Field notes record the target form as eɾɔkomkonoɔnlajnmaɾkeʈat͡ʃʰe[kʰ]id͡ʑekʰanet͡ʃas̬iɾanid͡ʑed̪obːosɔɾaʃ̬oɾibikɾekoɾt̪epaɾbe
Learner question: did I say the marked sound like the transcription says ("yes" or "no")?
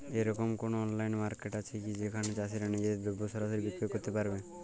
no